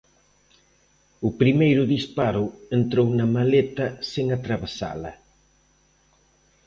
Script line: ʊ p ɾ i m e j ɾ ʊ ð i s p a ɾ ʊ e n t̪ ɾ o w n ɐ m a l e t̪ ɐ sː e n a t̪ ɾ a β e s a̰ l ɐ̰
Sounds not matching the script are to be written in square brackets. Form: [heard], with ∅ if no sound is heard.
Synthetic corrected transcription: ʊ p ɾ i m e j ɾ ʊ ð i s p a ɾ ʊ e n t̪ ɾ o w n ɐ m a l e t̪ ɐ [s] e [ŋ] a t̪ ɾ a β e s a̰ l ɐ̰